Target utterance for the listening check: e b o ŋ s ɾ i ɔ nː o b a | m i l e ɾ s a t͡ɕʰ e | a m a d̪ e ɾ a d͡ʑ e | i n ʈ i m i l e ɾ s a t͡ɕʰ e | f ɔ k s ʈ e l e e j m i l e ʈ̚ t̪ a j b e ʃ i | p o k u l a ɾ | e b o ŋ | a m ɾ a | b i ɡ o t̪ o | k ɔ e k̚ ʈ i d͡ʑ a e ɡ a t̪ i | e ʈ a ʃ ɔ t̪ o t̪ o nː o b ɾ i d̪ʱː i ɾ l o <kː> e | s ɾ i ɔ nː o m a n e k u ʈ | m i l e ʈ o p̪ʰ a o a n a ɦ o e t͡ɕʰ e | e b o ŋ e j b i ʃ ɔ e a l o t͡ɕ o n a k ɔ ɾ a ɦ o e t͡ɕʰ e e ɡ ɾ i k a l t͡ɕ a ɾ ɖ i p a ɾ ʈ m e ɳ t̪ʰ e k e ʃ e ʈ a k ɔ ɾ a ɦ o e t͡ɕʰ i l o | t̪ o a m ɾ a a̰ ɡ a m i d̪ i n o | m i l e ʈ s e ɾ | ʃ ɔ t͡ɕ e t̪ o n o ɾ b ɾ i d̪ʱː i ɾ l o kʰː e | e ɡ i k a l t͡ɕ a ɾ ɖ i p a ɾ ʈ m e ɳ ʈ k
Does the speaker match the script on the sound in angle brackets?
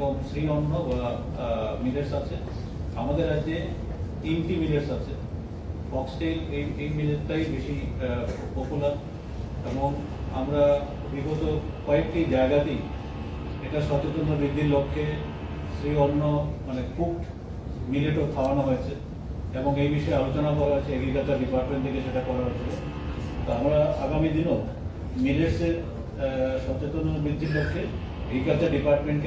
no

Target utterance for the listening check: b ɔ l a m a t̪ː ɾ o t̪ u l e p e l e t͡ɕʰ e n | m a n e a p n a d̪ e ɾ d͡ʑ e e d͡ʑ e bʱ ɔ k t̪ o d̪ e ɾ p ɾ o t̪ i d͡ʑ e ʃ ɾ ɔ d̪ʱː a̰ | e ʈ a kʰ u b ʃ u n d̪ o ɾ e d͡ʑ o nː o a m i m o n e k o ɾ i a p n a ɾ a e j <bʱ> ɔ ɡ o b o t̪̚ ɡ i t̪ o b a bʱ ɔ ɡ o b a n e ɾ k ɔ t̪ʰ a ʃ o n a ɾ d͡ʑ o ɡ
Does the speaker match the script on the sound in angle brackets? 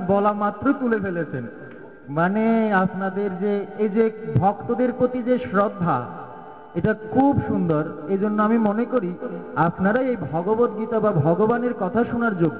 yes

